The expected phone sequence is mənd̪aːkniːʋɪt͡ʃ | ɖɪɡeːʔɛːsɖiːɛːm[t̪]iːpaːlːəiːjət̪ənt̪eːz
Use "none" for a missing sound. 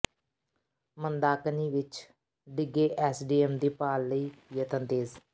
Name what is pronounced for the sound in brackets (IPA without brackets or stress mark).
d̪